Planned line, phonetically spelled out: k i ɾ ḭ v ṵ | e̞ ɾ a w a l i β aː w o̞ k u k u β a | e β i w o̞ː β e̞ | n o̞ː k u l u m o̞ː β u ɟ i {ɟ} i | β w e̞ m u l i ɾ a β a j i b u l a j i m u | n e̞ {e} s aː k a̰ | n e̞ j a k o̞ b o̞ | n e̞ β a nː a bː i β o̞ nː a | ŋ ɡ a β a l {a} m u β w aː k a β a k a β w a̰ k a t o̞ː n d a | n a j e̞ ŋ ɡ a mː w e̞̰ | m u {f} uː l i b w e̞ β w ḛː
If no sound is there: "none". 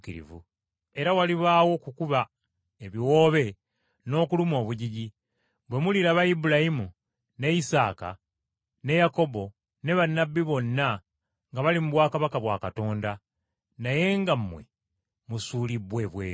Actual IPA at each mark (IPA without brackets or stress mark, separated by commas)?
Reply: ɟ, i, i, s